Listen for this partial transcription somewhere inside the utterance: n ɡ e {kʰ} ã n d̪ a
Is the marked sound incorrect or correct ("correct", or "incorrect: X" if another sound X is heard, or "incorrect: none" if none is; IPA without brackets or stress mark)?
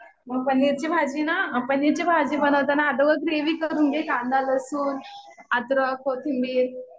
incorrect: k